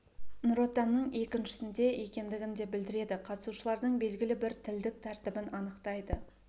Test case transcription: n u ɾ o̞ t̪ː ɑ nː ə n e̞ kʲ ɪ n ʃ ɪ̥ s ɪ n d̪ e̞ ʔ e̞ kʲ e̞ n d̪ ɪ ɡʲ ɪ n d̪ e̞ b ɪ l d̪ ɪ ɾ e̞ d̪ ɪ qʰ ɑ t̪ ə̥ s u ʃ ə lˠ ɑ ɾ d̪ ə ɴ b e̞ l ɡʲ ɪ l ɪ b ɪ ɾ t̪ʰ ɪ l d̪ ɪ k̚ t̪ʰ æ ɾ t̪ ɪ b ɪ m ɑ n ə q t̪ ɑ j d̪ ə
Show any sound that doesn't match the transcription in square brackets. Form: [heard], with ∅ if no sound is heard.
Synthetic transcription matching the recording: n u ɾ o̞ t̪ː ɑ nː ə [ɴ] e̞ kʲ ɪ n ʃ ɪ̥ s ɪ n d̪ e̞ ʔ e̞ kʲ e̞ n d̪ ɪ ɡʲ ɪ n d̪ e̞ b ɪ l d̪ ɪ ɾ e̞ d̪ ɪ qʰ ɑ t̪ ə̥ s u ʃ ə lˠ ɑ ɾ d̪ ə ɴ b e̞ l ɡʲ ɪ l ɪ b ɪ ɾ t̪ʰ ɪ l d̪ ɪ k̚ t̪ʰ æ ɾ t̪ ɪ b ɪ [n] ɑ n ə q t̪ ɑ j d̪ ə